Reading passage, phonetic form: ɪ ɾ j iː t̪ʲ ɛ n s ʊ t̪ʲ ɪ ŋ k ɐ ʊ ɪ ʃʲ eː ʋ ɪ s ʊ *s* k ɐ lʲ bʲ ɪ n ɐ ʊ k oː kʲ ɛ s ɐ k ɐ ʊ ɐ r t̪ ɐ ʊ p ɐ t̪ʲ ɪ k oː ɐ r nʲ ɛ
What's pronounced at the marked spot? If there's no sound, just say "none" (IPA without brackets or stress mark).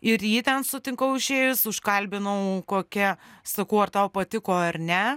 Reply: ʃ